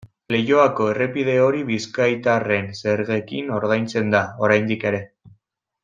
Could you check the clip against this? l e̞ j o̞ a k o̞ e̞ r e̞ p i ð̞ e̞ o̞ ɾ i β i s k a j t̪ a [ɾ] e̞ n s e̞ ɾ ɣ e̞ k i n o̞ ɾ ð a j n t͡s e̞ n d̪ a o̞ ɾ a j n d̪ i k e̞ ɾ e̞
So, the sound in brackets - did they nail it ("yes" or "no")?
no